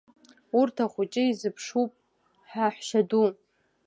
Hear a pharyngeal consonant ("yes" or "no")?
yes